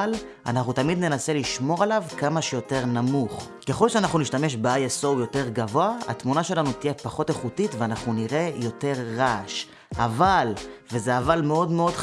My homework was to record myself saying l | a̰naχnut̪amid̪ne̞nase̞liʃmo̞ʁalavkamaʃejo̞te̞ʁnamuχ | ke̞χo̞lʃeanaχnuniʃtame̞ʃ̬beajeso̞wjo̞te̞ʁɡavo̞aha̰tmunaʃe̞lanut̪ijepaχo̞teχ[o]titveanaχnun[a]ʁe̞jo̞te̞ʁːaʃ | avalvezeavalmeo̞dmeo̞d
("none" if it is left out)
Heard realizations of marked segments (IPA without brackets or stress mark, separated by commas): u, i